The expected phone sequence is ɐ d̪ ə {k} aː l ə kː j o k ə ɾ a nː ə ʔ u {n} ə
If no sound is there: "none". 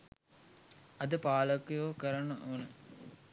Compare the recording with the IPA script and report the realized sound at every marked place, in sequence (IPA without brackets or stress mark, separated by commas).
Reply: p, n